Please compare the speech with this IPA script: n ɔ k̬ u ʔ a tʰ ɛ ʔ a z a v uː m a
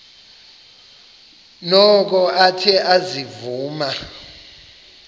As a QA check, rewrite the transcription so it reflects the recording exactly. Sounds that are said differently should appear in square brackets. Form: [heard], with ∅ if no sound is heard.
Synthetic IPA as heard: n ɔ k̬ [ɔ] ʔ a tʰ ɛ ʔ a z [i] v uː m a